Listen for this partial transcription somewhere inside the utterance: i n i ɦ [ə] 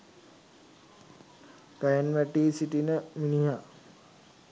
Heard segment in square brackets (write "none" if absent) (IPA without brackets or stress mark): a